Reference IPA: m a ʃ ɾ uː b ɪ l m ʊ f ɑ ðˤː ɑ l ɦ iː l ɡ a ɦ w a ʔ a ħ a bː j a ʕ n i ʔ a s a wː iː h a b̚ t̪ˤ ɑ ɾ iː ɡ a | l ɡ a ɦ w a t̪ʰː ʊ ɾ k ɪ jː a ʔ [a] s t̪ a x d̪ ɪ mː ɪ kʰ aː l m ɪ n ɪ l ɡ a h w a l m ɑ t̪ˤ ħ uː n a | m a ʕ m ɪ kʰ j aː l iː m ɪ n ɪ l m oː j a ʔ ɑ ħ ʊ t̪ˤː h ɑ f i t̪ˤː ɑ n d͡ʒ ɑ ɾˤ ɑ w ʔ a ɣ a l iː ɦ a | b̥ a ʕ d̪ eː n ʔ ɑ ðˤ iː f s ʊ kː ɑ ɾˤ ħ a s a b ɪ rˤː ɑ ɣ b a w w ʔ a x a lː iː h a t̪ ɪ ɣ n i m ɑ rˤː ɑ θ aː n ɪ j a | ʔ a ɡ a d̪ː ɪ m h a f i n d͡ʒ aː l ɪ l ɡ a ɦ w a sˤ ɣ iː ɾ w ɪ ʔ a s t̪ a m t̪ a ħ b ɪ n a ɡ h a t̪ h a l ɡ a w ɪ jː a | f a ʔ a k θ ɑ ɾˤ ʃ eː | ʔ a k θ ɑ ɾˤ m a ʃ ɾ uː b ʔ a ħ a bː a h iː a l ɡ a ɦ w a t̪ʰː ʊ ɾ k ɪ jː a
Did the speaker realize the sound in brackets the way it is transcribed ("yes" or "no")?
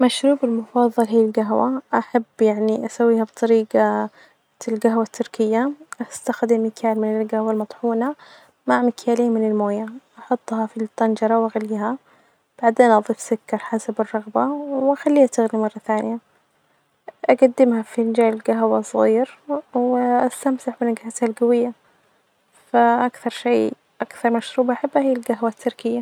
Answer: yes